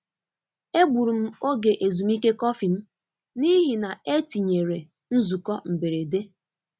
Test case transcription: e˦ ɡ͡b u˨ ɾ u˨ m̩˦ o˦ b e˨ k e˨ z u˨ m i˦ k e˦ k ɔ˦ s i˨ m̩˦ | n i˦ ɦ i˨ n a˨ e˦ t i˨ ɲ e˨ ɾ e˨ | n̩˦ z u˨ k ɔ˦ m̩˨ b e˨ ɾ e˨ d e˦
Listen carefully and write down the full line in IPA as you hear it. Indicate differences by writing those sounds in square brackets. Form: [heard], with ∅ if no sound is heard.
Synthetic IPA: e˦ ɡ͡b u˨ ɾ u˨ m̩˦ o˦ [ɡ] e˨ [ʔ] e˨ z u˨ m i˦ k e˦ k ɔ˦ [f] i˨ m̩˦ | n i˦ ɦ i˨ n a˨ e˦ t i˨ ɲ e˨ ɾ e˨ | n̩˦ z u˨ k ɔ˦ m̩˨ b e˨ ɾ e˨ d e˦